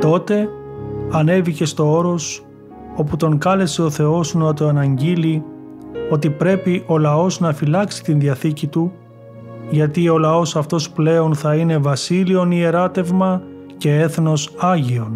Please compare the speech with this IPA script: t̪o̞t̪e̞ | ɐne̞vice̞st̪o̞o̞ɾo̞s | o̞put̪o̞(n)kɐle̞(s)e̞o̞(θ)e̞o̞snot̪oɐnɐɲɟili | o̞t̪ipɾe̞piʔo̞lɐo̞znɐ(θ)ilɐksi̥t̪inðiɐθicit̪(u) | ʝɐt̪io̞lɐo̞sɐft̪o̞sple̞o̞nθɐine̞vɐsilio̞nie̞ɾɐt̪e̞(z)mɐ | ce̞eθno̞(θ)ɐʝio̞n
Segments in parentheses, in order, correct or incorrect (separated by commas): incorrect, correct, correct, incorrect, correct, incorrect, incorrect